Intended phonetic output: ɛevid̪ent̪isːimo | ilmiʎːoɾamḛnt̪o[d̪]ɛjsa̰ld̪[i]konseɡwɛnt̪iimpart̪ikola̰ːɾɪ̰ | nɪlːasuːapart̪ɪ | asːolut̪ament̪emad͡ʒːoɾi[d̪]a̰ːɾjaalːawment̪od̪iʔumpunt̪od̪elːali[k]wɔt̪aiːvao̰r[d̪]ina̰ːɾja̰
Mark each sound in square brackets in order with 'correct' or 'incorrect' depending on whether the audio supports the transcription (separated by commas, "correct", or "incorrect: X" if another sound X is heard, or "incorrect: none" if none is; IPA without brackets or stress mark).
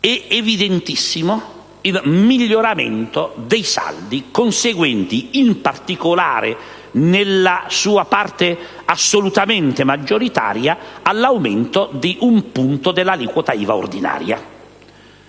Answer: correct, correct, incorrect: t̪, correct, correct